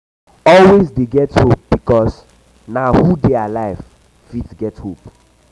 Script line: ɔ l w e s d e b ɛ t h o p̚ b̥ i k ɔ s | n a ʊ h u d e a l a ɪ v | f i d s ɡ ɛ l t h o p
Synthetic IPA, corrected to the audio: ɔ l w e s d e ɡ ɛ t h o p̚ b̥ i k ɔ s | n a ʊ h u d e a l a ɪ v | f i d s ɡ ɛ t h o p